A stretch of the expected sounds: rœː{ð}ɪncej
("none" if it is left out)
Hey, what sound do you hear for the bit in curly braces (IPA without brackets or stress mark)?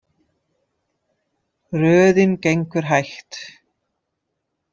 ð